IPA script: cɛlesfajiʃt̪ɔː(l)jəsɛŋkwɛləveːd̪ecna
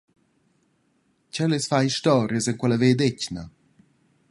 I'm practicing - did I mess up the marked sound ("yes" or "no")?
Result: yes